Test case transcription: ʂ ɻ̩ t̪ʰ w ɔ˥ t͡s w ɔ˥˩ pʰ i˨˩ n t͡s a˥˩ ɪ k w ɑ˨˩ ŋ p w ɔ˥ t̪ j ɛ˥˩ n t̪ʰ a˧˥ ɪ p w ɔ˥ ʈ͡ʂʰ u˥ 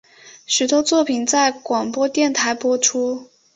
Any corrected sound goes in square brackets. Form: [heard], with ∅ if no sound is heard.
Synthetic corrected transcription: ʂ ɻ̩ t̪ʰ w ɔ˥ t͡s w ɔ˥˩ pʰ i˨˩ n t͡s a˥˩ ɪ k w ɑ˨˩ ŋ p w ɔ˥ t̪ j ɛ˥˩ n t̪ʰ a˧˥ ɪ p w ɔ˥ ʈ͡ʂʰ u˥